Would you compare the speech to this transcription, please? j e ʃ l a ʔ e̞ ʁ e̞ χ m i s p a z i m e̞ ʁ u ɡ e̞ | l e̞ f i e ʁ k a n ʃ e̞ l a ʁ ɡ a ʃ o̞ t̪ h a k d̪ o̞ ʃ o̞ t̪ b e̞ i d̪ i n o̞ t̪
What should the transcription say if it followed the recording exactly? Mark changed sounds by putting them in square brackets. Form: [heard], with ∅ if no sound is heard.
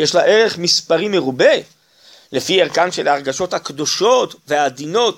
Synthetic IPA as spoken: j e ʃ l a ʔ e̞ ʁ e̞ χ m i s p a [ʁ] i m e̞ ʁ u [b] e̞ | l e̞ f i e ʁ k a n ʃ e̞ l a ʁ ɡ a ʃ o̞ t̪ h a k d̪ o̞ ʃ o̞ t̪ [v] e̞ [a] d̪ i n o̞ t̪